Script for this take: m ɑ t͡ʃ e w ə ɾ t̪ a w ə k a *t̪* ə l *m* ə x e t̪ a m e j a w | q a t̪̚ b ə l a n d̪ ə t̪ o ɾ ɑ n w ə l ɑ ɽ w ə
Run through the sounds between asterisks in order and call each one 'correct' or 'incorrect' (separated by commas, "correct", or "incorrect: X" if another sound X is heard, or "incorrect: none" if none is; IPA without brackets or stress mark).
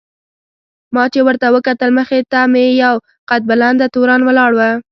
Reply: correct, correct